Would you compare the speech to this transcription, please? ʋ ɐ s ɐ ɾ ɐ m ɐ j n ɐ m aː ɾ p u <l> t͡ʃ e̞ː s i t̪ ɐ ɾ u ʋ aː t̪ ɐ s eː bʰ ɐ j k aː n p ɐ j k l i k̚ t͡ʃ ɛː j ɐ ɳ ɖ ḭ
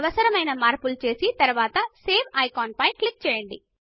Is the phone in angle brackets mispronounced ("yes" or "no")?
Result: no